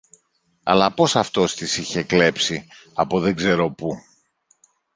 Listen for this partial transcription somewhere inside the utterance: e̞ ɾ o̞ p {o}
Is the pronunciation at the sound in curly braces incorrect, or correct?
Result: incorrect